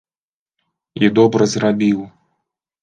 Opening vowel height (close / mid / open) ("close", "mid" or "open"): close